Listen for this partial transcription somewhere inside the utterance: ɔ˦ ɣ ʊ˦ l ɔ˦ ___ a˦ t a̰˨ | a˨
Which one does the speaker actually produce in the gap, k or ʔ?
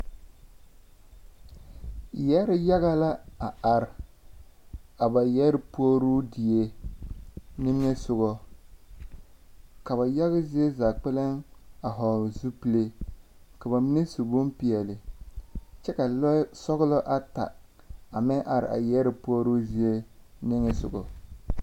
ʔ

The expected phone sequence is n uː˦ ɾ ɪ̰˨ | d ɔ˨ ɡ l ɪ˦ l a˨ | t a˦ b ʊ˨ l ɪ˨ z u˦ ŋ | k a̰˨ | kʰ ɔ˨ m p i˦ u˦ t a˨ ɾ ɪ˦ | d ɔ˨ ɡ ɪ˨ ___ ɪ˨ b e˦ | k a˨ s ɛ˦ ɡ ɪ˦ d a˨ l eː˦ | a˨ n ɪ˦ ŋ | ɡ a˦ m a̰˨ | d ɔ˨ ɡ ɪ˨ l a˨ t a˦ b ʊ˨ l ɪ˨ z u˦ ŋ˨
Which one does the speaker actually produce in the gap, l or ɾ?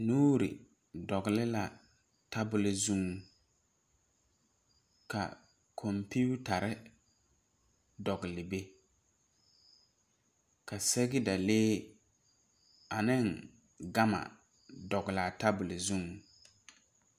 l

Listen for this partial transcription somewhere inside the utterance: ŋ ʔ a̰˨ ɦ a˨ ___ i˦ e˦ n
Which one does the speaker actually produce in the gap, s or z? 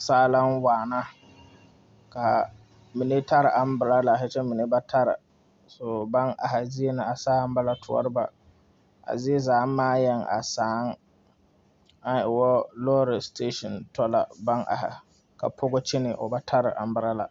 z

